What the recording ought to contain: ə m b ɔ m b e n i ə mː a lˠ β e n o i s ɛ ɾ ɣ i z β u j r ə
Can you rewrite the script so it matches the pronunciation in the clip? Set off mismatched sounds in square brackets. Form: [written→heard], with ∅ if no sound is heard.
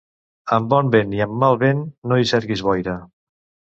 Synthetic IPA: ə m b ɔ m b e n i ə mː a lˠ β e [n→nː] o i s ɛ ɾ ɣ i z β [u→ɔ] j [r→ɾ] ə

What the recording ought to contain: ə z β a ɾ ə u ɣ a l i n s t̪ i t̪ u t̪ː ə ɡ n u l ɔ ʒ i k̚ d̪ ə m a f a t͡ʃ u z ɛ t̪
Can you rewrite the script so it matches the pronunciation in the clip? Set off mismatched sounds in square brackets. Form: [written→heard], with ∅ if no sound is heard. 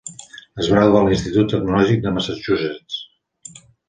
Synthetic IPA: ə z β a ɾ [ə→a] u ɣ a l i n s t̪ i t̪ u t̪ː ə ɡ n u l ɔ ʒ i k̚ d̪ ə m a [f→s] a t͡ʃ u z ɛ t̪

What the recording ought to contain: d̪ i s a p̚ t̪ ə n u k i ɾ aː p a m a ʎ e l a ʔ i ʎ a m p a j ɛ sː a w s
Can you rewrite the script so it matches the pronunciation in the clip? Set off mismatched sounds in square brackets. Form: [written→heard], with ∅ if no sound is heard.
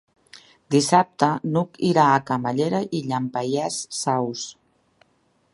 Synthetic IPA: d̪ i s a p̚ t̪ ə n u k i ɾ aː [p→k] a m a ʎ e [l→ɾ] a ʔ i ʎ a m p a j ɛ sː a w s

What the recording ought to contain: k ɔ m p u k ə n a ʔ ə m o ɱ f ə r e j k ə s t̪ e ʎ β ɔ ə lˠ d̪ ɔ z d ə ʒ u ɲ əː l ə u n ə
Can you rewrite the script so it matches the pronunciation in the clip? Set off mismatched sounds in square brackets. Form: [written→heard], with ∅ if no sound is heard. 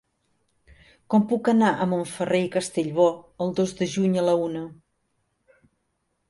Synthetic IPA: k ɔ m p u k ə n a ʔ ə m o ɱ f ə r e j k ə s t̪ e ʎ β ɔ ə lˠ d̪ [ɔ→o] z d ə ʒ u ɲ [əː→ə] l ə u n ə

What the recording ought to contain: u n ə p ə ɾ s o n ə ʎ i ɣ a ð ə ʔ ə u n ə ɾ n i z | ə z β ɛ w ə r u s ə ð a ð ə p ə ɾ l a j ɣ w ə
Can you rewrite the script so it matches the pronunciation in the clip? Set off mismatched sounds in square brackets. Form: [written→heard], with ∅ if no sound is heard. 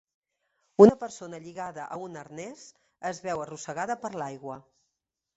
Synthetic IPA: u n ə p ə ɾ s o n ə ʎ i ɣ a ð ə ʔ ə u n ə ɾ n [i→ɛ] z | ə z β ɛ w ə r u s ə [ð→ɣ] a ð ə p ə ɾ l a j ɣ w ə

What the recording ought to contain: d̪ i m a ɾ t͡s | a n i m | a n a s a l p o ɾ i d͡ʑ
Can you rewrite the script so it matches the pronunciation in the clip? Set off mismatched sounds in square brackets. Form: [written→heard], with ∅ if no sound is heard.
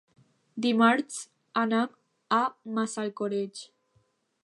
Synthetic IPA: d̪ i m a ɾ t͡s | a n [i→a] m | a [n→m] a s a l [p→k] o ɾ [i→e] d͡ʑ

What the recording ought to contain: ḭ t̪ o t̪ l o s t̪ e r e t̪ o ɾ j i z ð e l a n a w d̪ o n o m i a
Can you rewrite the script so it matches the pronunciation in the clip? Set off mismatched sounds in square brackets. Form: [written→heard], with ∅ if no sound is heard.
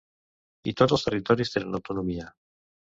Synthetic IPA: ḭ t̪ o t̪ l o s t̪ e r [e→i] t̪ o ɾ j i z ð e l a n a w [d̪→t̪] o n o m i a

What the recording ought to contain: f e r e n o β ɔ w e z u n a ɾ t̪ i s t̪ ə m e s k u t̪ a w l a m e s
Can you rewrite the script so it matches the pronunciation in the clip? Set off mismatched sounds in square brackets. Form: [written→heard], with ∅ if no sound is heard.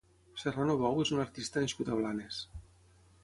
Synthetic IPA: [f→s] e r [e→a] n o β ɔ w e z u n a ɾ t̪ i s t̪ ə [m→n] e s k u t̪ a [w→β] l a [m→n] e s

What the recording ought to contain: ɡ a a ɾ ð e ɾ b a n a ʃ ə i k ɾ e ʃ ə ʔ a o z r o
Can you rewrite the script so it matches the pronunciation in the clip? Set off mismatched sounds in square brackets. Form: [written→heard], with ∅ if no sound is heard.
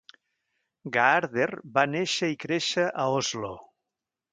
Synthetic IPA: ɡ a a ɾ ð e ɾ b a n [a→e] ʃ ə i k ɾ e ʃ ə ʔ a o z [r→l] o

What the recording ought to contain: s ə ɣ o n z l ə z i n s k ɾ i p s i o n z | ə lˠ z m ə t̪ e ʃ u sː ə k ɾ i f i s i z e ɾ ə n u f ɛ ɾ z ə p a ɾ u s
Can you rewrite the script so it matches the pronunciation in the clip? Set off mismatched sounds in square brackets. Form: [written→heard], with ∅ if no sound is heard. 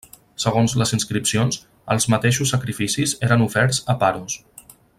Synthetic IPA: s ə ɣ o n z l ə z i n s k ɾ i p s i o n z | ə lˠ z m ə t̪ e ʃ u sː ə k ɾ i f i s i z e ɾ ə n u f ɛ ɾ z ə p a ɾ u s

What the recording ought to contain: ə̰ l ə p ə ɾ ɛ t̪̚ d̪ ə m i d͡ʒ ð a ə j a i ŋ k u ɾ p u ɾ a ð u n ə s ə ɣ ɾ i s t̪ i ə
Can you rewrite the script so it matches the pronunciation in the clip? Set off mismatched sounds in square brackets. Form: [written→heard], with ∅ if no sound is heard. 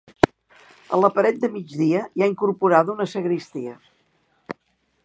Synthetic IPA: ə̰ l ə p ə ɾ ɛ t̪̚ d̪ ə m i d͡ʒ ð [a→i] ə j a i ŋ k u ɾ p u ɾ a ð u n ə s ə ɣ ɾ i s t̪ i ə

